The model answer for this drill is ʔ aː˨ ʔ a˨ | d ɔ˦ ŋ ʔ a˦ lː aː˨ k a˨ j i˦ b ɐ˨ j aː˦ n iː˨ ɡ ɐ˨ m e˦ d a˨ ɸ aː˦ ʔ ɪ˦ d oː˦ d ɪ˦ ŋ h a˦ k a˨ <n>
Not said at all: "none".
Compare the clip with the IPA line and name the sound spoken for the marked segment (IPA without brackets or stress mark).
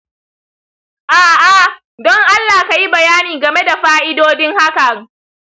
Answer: ŋ